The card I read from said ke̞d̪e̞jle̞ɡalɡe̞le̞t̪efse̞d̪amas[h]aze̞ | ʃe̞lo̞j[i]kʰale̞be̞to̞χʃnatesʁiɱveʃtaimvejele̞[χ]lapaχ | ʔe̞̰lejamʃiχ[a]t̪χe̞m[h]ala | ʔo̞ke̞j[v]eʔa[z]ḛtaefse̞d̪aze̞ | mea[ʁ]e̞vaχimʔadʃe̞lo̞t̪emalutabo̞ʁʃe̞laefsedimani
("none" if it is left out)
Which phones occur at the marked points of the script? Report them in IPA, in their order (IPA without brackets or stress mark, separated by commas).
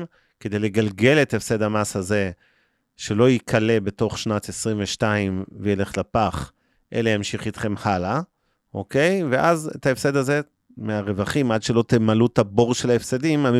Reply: h, i, χ, i, h, v, z, ʁ